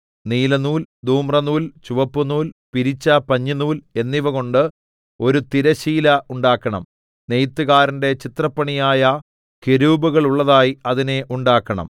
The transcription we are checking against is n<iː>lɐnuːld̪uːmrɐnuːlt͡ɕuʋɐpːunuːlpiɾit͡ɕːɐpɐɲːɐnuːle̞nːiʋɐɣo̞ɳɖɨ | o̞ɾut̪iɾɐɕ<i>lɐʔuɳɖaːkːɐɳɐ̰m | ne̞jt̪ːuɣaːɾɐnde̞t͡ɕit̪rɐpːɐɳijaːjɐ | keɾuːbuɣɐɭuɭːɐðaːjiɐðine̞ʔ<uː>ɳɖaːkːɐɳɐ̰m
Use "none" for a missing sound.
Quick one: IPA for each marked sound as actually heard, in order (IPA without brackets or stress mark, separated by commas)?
iː, iː, u